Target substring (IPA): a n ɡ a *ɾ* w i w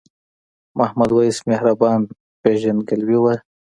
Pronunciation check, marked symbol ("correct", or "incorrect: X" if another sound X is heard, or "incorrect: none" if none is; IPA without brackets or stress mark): incorrect: l